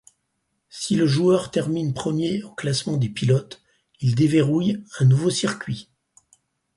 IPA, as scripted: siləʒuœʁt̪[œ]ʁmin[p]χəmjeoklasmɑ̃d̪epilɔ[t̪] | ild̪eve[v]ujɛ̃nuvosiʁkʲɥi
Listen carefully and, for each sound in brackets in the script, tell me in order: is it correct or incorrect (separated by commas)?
incorrect, correct, correct, incorrect